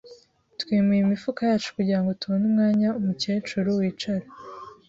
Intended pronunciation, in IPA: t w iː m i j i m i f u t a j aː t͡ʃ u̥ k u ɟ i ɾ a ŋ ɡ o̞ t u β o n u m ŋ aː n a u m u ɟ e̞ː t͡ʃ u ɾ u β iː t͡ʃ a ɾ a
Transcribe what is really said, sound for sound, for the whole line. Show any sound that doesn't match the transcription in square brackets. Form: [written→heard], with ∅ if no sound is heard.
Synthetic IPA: t w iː m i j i m i f u [t→k] a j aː t͡ʃ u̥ k u ɟ i ɾ a ŋ ɡ o̞ t u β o n u m ŋ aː [n→ɲ] a u m u [ɟ→c] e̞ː t͡ʃ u ɾ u [β→w] iː t͡ʃ a ɾ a